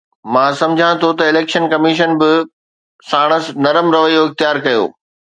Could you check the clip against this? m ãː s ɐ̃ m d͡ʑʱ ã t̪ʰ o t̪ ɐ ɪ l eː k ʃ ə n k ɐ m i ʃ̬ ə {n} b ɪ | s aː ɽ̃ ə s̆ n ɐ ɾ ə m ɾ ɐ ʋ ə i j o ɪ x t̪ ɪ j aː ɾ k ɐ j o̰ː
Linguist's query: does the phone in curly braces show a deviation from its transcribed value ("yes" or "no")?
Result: no